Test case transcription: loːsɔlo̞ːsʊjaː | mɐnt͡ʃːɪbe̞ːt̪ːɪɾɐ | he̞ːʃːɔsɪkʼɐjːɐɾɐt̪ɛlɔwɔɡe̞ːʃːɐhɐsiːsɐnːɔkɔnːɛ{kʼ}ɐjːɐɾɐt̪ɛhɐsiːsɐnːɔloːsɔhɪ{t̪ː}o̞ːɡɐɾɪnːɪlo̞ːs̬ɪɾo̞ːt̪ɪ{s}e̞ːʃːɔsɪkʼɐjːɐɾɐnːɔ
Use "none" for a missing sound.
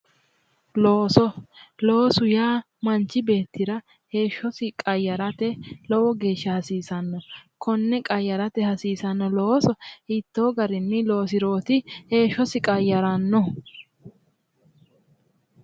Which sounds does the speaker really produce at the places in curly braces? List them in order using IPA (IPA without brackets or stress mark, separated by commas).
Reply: kʼ, t̪ː, h